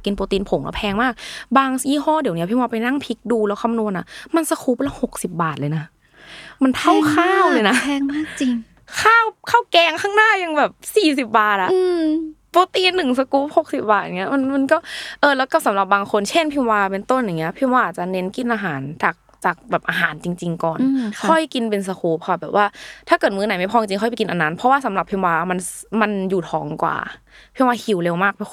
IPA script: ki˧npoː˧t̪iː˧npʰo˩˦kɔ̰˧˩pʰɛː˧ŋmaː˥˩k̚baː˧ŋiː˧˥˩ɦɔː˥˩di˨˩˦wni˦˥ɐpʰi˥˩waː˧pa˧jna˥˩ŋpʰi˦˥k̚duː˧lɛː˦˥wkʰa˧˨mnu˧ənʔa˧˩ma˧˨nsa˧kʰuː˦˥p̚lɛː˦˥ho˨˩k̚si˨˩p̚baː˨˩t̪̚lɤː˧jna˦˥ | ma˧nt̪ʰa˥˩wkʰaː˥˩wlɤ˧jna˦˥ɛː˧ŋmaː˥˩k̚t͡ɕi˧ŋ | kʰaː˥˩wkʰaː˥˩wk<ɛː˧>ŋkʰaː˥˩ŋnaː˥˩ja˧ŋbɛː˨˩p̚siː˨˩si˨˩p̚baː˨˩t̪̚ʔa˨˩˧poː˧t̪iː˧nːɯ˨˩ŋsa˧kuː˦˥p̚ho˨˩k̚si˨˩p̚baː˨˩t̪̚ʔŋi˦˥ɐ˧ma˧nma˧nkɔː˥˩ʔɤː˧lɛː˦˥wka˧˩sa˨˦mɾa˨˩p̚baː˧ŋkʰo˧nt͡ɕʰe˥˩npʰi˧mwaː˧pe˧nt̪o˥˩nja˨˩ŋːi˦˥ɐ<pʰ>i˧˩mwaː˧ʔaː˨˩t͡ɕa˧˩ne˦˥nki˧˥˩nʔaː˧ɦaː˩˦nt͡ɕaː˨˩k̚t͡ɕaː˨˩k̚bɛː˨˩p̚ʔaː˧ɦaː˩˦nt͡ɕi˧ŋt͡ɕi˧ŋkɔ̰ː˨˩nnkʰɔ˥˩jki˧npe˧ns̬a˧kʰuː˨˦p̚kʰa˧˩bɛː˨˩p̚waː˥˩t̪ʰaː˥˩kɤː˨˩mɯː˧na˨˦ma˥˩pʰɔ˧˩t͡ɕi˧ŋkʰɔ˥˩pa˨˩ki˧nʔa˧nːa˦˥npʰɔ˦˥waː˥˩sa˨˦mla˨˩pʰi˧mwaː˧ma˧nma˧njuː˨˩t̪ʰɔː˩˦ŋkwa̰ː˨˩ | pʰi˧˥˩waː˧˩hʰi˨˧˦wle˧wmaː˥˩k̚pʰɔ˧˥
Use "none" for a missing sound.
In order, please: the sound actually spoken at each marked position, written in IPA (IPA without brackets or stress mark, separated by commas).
ɛː˧, pʰ